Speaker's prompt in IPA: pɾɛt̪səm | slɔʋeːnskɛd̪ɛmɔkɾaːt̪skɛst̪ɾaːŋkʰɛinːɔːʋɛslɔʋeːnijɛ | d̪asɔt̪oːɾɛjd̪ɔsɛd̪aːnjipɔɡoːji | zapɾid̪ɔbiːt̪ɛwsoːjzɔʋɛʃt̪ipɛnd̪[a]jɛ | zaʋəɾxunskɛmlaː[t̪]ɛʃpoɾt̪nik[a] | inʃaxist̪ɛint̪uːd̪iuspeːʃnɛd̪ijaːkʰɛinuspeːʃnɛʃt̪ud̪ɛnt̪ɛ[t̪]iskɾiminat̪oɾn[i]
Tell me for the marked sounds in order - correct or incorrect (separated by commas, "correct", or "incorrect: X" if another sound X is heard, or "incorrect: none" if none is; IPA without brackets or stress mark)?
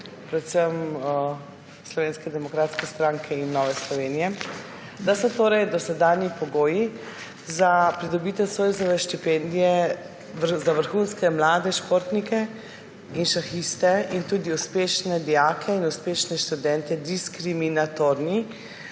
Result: incorrect: i, incorrect: d̪, incorrect: ɛ, incorrect: d̪, correct